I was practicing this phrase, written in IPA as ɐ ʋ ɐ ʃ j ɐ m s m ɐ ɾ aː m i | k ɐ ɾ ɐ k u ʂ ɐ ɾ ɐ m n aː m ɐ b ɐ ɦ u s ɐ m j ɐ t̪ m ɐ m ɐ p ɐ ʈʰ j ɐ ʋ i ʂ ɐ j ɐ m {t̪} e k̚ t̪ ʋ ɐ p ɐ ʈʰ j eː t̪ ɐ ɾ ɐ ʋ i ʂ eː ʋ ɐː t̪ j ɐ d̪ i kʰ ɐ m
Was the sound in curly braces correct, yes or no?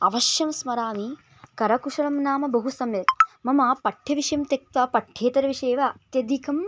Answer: yes